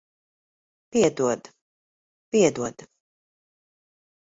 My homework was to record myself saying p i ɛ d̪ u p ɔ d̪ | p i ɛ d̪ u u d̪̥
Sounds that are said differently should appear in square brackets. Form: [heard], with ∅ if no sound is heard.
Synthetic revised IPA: p i ɛ d̪ u [∅] ɔ d̪ | p i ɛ d̪ u [ɔ] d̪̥